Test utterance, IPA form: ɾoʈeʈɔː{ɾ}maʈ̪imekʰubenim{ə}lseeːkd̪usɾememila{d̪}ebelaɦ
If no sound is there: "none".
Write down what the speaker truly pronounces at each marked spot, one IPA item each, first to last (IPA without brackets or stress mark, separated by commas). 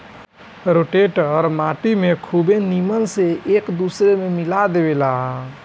ɾ, ə, d̪